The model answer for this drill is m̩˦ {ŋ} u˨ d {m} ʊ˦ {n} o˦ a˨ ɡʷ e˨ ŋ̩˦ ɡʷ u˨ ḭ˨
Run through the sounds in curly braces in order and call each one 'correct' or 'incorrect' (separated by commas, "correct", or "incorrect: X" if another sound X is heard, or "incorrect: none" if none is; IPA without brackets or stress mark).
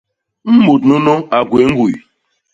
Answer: incorrect: m, incorrect: n, correct